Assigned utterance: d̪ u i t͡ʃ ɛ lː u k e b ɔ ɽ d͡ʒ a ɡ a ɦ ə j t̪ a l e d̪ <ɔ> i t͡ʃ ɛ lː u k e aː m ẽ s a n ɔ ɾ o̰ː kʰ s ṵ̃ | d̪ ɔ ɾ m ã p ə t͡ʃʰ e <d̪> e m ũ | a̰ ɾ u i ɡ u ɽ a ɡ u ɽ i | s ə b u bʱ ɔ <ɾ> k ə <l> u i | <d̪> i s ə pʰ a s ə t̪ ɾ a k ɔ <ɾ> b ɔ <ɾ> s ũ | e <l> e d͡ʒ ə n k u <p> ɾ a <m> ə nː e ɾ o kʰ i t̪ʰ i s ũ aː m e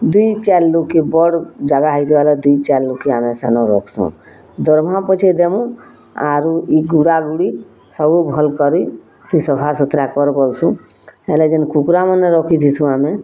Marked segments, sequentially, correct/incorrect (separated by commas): incorrect, correct, incorrect, incorrect, incorrect, correct, incorrect, correct, incorrect, correct